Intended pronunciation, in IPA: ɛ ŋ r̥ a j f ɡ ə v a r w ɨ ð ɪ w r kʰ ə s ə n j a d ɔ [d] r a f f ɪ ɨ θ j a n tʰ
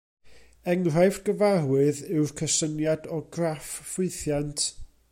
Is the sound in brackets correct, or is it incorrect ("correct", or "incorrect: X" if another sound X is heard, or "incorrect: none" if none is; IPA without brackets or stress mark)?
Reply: incorrect: ɡ